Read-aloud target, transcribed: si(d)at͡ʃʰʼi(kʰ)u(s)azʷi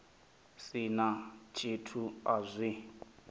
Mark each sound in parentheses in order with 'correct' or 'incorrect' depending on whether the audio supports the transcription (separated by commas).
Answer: incorrect, incorrect, incorrect